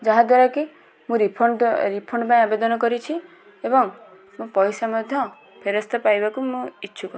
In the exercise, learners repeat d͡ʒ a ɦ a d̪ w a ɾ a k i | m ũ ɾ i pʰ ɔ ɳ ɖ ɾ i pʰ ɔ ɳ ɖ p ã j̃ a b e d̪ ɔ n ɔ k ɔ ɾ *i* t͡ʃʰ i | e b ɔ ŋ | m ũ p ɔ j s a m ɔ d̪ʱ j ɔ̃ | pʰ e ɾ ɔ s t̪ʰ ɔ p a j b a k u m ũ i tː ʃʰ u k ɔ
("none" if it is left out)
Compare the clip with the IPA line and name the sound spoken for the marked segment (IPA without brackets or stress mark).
i